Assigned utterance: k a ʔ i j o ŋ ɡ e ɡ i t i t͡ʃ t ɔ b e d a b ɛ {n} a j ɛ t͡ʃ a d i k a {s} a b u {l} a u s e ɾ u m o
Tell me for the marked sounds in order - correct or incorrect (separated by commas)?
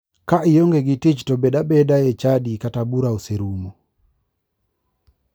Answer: incorrect, incorrect, incorrect